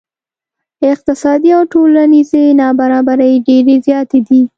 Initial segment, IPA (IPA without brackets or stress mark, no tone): ɪ